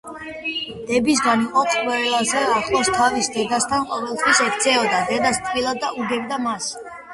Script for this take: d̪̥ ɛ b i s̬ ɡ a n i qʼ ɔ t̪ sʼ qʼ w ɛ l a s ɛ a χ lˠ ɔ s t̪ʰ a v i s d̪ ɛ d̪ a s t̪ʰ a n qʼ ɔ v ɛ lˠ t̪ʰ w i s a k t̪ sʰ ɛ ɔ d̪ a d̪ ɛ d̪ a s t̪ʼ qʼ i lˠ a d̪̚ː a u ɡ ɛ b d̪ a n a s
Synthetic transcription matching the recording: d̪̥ ɛ b i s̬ ɡ a n i qʼ ɔ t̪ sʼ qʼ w ɛ l a z ɛ a χ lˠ ɔ s t̪ʰ a v i s d̪ ɛ d̪ a s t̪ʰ a n qʼ ɔ v ɛ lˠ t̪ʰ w i s ɛ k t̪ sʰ ɛ ɔ d̪ a d̪ ɛ d̪ a s t̪ʼ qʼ i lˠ a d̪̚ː a u ɡ ɛ b d̪ a m a s